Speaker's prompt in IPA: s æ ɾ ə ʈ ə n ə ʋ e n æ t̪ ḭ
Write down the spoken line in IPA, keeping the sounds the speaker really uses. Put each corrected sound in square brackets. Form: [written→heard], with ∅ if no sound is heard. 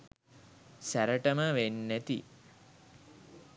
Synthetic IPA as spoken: s æ ɾ ə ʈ ə [n→m] ə ʋ e [n→nː] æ t̪ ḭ